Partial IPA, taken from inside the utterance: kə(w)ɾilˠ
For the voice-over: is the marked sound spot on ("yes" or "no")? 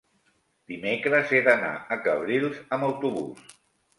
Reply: no